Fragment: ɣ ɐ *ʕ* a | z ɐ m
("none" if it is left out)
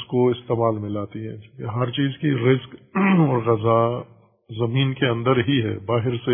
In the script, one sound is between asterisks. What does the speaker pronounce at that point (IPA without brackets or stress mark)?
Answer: z